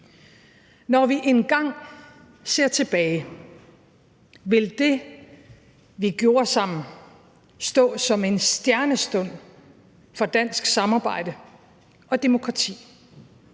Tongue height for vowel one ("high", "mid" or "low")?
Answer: low